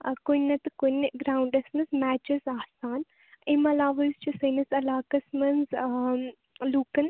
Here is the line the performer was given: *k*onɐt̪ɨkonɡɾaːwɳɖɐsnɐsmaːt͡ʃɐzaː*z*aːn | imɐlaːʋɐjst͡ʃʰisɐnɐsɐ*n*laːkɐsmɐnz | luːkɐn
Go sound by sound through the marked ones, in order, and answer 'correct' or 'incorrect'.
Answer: correct, incorrect, incorrect

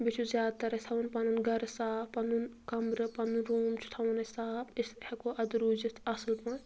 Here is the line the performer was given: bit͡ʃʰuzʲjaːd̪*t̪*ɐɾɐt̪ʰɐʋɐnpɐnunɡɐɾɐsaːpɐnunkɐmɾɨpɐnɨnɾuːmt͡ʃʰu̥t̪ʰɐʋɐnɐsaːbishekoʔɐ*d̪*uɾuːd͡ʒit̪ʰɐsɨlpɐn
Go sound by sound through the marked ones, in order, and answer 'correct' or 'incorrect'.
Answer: correct, correct

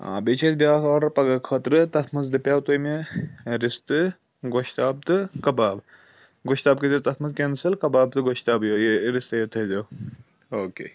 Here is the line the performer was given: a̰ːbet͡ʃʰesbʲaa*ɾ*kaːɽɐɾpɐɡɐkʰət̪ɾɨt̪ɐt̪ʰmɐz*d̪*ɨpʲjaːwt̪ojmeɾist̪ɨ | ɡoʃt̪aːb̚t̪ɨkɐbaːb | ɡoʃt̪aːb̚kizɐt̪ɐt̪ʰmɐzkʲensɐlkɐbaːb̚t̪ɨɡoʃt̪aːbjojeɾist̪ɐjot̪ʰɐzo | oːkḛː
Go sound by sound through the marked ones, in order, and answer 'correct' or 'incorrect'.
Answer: incorrect, correct

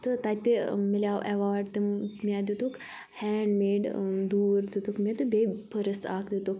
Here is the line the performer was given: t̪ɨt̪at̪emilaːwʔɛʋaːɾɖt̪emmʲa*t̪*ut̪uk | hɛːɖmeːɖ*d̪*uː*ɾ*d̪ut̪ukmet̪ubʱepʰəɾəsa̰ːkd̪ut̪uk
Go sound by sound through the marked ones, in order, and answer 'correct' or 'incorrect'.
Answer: incorrect, correct, correct

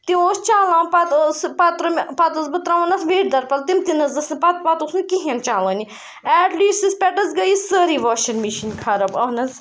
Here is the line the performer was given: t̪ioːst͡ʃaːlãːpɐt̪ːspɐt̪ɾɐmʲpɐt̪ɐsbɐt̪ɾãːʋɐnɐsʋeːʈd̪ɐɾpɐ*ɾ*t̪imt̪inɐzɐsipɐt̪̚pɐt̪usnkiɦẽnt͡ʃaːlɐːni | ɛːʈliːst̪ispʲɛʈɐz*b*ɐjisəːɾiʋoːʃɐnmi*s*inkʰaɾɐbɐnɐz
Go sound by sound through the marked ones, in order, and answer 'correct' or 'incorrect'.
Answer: incorrect, incorrect, incorrect

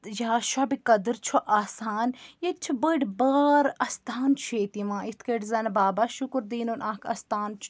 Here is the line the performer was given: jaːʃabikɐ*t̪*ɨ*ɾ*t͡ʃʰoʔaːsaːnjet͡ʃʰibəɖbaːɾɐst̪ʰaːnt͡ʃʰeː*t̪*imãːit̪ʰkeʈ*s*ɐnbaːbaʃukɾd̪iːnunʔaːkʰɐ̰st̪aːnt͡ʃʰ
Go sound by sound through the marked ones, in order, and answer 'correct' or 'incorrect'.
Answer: incorrect, correct, correct, incorrect

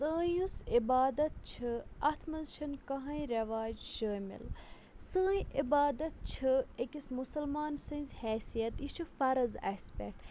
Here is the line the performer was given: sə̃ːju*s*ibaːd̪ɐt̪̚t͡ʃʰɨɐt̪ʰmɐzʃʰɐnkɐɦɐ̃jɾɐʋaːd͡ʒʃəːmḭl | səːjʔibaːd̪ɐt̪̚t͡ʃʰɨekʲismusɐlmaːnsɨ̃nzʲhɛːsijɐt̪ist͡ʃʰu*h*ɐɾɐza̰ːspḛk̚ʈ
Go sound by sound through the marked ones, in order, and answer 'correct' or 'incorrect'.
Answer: correct, incorrect

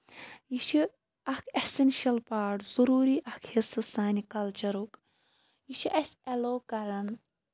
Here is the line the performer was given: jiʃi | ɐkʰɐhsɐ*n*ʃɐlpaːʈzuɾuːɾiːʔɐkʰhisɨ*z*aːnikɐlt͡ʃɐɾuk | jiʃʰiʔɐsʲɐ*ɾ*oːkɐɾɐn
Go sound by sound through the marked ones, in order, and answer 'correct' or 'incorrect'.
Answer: correct, incorrect, incorrect

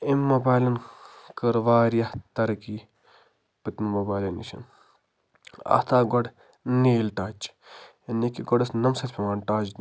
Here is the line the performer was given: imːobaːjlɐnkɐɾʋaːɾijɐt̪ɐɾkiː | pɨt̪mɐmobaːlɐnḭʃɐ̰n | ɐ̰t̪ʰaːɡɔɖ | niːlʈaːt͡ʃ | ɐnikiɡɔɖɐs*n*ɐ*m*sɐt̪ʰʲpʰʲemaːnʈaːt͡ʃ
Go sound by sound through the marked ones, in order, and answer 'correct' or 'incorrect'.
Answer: correct, correct

